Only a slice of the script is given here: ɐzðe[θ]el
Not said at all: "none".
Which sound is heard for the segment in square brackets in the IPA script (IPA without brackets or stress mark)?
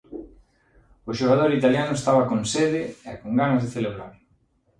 θ